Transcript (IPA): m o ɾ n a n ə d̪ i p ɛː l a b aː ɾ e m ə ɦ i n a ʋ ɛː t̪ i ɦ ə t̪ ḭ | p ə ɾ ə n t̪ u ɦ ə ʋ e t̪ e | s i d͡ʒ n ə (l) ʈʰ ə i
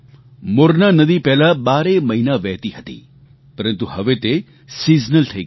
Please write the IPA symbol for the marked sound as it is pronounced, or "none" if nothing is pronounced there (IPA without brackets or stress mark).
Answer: l